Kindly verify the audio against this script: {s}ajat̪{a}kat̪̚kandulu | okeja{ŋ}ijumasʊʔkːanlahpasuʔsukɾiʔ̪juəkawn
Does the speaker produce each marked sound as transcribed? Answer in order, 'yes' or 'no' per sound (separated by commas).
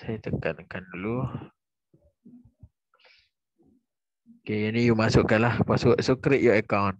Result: yes, no, no